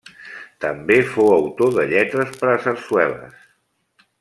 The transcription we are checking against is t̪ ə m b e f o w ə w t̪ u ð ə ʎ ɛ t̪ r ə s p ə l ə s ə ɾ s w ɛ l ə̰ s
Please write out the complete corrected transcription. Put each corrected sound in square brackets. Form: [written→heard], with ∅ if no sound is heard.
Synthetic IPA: t̪ ə m b e f o w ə w t̪ [u→o] ð ə ʎ ɛ t̪ [r→ɾ] ə s p ə [l→ɾ] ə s ə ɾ s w ɛ l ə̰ s